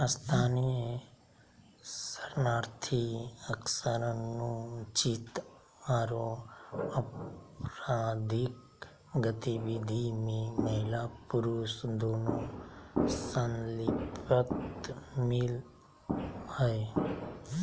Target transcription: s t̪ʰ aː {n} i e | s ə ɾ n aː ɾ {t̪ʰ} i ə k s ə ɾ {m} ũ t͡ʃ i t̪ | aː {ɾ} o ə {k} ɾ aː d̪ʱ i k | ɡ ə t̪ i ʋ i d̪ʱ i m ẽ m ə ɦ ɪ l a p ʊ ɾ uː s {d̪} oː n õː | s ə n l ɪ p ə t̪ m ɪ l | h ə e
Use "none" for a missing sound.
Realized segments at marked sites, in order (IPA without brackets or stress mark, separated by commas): n, t̪ʰ, n, ɾ, p, d̪